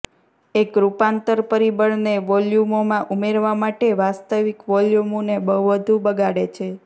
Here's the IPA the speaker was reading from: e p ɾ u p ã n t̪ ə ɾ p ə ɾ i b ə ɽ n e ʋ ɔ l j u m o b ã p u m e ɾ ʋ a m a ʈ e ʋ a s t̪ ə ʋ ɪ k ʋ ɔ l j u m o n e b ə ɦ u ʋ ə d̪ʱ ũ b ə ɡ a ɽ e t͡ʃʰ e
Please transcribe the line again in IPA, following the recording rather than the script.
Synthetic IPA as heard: e k ɾ u p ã n t̪ ə ɾ p ə ɾ i b ə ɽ n e ʋ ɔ l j u m o m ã ʔ u m e ɾ ʋ a m a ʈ e ʋ a s t̪ ə ʋ i k ʋ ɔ l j u m o n e b ə ɦ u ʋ ə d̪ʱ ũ b ə ɡ a ɽ e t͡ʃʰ e